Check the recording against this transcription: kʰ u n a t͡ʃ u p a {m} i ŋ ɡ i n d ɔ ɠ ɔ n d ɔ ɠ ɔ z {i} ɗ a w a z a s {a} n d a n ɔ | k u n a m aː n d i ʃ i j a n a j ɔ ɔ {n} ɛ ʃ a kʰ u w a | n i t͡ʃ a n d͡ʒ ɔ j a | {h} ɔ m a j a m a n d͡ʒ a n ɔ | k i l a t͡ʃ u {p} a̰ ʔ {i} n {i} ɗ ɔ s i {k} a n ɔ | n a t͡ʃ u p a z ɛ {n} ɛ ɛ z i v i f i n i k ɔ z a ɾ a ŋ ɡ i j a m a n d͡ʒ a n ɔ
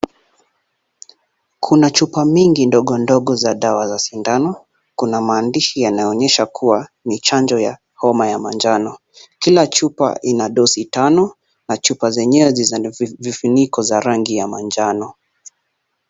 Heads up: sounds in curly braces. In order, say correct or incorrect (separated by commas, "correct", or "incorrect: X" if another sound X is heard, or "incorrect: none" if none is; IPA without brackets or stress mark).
correct, incorrect: a, incorrect: i, incorrect: ɲ, correct, correct, correct, incorrect: a, incorrect: t, incorrect: ɲ